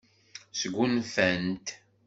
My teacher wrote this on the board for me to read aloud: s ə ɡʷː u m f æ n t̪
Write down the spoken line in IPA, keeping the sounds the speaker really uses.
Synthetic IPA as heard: s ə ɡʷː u n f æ n t̪